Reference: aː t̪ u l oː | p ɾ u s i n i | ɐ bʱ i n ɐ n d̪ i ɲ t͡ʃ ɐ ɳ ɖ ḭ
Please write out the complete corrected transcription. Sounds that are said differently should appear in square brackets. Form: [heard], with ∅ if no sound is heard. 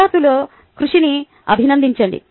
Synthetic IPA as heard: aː t̪ u l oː | [k] ɾ u [ʂ] i n i | ɐ bʱ i n ɐ n d̪ i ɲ t͡ʃ ɐ ɳ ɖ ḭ